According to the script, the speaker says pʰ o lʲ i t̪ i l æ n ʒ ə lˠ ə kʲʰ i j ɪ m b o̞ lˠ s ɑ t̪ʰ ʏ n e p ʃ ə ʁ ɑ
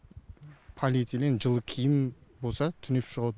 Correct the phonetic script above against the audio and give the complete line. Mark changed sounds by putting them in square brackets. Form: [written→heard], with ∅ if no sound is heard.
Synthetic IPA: pʰ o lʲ i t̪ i l [æ→e] n ʒ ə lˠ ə kʲʰ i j ɪ m b o̞ lˠ s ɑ t̪ʰ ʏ n e p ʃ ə ʁ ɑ